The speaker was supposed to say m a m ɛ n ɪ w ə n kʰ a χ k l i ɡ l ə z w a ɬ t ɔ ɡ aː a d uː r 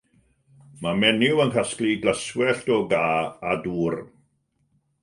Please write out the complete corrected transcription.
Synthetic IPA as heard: m a m ɛ n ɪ w ə n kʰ a s k l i ɡ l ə s w ɛ ɬ t ɔ ɡ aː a d uː r

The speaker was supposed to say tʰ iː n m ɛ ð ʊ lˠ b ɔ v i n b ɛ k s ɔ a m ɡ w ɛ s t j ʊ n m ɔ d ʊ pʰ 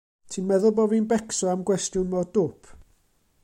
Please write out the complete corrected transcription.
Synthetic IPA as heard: tʰ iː n m ɛ ð ʊ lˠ b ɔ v i n b ɛ k s ɔ a m ɡ w ɛ s t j ʊ n m ɔ d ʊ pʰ

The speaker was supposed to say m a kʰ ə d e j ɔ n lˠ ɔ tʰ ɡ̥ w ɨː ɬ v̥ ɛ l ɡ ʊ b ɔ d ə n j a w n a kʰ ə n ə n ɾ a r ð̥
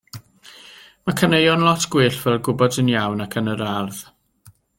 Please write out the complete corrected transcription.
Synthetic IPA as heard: m a kʰ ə n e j ɔ n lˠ ɔ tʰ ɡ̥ w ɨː ɬ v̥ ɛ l ɡ ʊ b ɔ d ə n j a w n a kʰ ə n ə ɾ a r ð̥

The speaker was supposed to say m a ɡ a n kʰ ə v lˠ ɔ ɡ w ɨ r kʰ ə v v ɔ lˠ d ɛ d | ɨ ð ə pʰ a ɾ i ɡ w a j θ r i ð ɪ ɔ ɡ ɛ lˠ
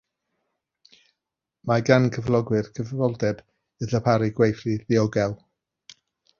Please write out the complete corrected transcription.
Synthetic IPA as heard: m a ɡ a n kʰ ə v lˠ ɔ ɡ w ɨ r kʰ ə v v ɔ lˠ d ɛ d | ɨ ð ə pʰ a ɾ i ɡ w e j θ r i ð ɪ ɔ ɡ ɛ lˠ

